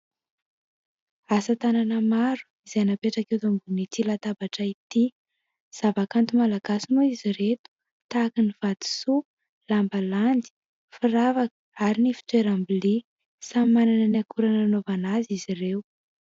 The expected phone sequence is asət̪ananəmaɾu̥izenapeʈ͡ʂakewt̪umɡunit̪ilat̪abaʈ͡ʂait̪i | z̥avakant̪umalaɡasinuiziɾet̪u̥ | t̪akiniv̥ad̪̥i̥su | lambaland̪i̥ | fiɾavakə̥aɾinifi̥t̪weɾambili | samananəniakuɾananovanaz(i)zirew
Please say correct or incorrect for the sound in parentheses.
correct